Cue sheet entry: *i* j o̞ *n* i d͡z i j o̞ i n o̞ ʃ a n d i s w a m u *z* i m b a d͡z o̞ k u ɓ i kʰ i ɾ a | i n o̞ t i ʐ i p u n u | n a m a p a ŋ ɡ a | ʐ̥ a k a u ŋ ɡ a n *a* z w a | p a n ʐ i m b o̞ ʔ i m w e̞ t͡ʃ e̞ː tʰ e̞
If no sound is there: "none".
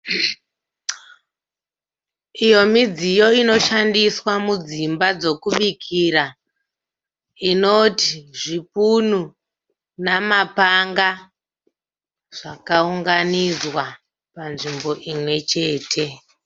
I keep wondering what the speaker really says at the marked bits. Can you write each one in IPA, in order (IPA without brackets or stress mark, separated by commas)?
i, m, d͡z, i